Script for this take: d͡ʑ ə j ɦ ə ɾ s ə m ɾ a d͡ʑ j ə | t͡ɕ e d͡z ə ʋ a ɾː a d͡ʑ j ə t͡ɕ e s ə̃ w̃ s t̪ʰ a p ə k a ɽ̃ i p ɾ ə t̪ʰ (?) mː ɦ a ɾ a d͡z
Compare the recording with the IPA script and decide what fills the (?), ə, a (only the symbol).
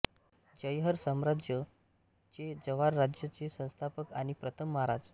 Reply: ə